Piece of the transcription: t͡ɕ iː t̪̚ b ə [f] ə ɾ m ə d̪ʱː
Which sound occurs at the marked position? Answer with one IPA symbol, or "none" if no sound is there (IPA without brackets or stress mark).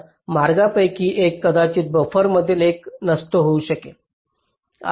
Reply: f